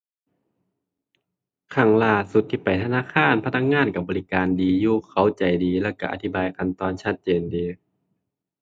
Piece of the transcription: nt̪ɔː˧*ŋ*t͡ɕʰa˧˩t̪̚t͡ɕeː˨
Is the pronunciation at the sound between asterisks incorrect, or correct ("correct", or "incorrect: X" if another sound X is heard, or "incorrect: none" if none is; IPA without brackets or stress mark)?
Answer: incorrect: n